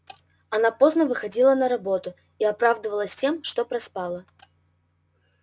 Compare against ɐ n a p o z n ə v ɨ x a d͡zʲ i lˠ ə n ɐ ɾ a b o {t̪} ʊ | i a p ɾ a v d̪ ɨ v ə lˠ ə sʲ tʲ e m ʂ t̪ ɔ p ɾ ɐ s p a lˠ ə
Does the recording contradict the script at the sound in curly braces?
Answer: no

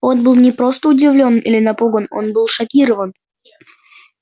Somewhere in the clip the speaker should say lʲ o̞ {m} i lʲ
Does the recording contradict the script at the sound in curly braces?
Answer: yes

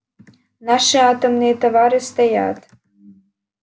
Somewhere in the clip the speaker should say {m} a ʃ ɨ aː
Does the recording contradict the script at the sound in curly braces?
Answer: yes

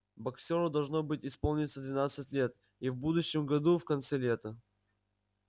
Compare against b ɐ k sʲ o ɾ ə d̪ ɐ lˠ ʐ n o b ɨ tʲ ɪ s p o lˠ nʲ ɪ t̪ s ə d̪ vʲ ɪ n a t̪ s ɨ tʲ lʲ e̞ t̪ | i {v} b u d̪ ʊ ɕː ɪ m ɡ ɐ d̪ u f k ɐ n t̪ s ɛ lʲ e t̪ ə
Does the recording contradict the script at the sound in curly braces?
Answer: no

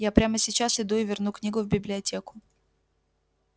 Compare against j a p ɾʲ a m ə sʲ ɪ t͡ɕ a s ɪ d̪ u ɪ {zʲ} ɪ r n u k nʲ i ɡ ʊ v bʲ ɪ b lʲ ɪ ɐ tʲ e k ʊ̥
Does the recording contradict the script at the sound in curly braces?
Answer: yes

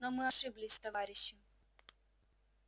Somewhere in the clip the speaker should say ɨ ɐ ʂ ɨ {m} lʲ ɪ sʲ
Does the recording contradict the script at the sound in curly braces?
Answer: yes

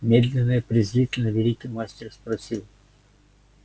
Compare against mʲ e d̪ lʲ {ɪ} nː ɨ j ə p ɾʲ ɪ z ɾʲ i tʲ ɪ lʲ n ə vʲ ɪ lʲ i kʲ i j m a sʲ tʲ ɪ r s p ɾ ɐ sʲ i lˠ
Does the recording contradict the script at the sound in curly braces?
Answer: no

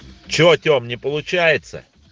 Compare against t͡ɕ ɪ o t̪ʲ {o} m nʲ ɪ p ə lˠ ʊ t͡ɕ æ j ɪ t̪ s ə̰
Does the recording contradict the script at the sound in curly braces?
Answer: no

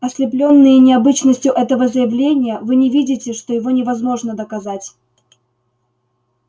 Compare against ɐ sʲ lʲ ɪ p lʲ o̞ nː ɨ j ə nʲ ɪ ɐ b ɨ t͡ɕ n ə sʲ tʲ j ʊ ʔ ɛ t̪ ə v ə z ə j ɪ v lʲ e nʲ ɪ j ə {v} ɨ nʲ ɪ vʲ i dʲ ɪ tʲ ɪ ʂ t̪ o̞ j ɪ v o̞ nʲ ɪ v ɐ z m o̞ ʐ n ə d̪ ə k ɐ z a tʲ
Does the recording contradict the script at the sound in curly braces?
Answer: no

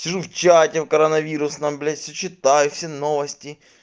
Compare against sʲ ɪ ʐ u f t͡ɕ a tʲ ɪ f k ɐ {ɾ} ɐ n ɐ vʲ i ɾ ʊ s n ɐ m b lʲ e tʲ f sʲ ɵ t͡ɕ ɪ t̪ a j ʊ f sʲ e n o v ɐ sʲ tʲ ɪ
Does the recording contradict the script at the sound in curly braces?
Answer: no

